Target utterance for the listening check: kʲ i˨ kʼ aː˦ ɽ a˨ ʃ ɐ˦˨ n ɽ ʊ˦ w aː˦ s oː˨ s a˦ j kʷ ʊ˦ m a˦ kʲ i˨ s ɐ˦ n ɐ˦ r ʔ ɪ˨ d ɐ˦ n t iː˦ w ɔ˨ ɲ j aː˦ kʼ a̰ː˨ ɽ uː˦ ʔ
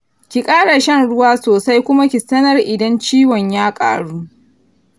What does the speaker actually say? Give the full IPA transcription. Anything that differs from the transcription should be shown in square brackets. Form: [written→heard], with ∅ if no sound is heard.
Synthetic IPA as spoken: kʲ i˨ kʼ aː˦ ɽ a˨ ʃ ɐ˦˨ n ɽ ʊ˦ w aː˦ s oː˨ s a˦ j kʷ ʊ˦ m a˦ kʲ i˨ s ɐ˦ n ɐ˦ r ʔ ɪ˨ d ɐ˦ n [t→t͡ʃ] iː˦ w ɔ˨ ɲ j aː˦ kʼ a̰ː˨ ɽ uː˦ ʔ